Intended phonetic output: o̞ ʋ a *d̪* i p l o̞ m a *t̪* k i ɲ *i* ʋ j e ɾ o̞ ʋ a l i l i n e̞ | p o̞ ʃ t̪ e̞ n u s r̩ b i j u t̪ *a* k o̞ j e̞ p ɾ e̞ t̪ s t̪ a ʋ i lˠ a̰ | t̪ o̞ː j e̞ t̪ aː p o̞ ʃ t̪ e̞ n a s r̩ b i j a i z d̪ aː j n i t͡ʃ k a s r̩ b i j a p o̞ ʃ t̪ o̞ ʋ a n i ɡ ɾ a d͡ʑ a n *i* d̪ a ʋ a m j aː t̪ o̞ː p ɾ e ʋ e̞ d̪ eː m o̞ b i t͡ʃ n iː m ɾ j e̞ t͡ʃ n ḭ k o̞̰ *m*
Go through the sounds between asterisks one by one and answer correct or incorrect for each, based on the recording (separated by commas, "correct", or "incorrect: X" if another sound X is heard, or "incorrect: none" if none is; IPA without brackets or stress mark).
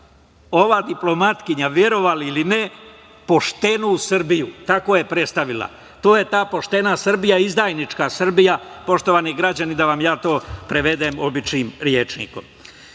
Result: correct, correct, incorrect: a, correct, correct, correct